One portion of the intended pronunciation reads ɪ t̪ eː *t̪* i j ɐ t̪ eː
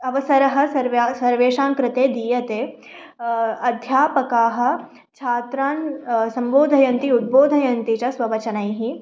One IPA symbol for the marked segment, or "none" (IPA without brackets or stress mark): d̪